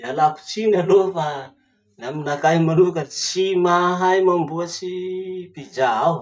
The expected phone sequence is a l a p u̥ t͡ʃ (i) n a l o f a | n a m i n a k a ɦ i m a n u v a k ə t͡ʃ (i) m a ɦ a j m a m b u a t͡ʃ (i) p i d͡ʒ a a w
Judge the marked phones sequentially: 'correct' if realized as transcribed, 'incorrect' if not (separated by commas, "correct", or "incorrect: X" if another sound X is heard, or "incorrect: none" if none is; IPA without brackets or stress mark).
correct, correct, correct